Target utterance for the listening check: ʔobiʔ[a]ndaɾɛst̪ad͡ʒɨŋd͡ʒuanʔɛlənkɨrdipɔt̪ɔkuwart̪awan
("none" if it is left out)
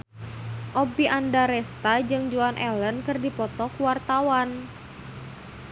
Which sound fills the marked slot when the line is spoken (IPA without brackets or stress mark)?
a